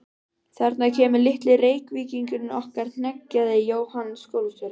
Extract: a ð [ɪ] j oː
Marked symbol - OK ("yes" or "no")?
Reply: yes